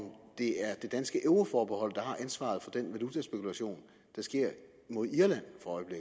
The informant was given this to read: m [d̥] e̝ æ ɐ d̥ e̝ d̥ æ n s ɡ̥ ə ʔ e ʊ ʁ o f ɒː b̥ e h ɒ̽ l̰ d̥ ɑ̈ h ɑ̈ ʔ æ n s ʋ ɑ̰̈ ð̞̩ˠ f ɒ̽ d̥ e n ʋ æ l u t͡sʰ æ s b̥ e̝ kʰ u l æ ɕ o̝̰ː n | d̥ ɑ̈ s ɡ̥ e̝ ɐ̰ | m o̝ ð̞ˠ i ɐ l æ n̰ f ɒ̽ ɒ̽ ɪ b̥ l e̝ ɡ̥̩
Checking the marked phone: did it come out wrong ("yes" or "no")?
no